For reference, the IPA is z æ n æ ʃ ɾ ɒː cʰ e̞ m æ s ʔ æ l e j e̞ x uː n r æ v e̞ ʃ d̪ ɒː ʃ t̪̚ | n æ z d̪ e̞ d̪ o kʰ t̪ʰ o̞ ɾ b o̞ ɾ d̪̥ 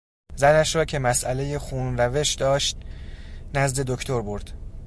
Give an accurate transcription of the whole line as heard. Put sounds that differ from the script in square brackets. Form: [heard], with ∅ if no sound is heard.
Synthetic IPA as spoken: z æ n æ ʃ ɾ ɒː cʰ e̞ m æ s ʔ æ l e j e̞ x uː n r æ v e̞ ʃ d̪ ɒː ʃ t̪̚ | n æ z d̪ e̞ d̪ o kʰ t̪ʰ o̞ ɾ b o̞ ɾ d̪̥